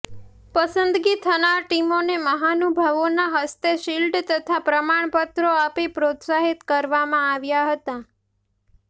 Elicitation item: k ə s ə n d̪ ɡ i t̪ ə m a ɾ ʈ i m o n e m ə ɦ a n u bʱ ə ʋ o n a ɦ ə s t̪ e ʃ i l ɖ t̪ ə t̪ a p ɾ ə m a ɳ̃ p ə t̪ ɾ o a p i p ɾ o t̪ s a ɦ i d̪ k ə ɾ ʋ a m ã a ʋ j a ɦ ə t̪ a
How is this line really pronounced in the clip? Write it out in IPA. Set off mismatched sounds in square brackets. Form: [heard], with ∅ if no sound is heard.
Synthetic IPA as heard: [p] ə s ə n d̪ ɡ i [t̪ʰ] ə [n] a ɾ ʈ i m o n e m ə ɦ a n u bʱ ə ʋ o n a ɦ ə s t̪ e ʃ i l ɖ t̪ ə [t̪ʰ] a p ɾ ə m a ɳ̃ p ə t̪ ɾ o a p i p ɾ o t̪ s a ɦ i [t̪] k ə ɾ ʋ a m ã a ʋ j a ɦ ə t̪ a

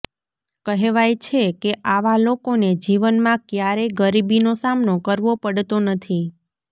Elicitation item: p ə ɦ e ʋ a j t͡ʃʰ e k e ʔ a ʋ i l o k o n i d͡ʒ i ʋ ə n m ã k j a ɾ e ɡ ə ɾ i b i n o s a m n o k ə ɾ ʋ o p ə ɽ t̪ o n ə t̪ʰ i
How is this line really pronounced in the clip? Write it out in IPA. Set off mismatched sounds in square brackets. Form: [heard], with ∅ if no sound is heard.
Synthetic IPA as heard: [k] ə ɦ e ʋ a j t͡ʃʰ e k e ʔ a ʋ [a] l o k o n [e] d͡ʒ i ʋ ə n m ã k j a ɾ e ɡ ə ɾ i b i n o s a m n o k ə ɾ ʋ o p ə ɽ t̪ o n ə t̪ʰ i

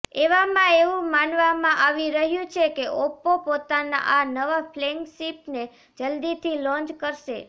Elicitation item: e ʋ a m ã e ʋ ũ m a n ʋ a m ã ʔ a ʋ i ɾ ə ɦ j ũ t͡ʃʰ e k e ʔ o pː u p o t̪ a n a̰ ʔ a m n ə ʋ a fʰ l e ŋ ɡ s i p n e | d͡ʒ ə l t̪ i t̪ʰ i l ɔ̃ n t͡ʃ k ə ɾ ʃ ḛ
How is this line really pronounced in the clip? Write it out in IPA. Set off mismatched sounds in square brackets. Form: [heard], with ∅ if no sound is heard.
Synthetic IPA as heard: e ʋ a m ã e ʋ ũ m a n ʋ a m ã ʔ a ʋ i ɾ ə ɦ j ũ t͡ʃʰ e k e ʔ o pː [o] p o t̪ a n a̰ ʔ a [∅] n ə ʋ a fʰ l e ŋ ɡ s i p n e | d͡ʒ ə l [d̪] i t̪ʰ i l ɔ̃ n t͡ʃ k ə ɾ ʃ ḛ

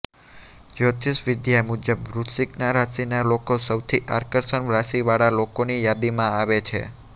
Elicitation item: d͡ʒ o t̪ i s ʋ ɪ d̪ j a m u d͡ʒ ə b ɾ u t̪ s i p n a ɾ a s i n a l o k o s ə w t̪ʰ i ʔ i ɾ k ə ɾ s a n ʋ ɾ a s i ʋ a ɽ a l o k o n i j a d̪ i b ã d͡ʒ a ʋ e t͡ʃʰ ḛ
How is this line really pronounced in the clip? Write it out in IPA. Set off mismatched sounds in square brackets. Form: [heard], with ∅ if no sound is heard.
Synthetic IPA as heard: d͡ʒ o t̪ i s ʋ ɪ d̪ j a m u d͡ʒ ə b ɾ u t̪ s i [k] n a ɾ a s i n a l o k o s ə w t̪ʰ i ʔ [a] ɾ k ə ɾ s [ə] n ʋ ɾ a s i ʋ a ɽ a l o k o n i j a d̪ i [m] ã [∅] a ʋ e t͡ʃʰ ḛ

